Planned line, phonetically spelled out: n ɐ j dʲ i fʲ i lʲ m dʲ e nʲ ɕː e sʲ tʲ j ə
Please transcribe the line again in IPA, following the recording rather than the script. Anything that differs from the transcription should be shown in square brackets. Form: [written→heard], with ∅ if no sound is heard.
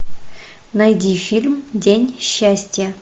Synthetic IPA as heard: n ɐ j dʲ i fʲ i lʲ m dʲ e nʲ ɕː [e→æ] sʲ tʲ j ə